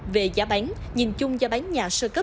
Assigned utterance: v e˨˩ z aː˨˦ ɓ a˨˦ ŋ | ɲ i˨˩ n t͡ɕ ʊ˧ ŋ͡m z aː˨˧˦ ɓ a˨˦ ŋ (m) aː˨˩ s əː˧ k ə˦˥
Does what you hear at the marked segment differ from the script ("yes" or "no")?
yes